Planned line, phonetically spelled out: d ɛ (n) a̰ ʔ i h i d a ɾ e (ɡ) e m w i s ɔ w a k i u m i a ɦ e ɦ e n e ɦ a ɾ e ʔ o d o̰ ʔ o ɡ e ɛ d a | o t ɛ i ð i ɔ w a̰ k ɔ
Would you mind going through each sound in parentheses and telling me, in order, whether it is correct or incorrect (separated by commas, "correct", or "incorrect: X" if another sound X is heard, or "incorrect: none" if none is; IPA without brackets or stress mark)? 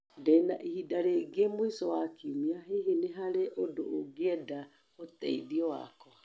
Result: correct, correct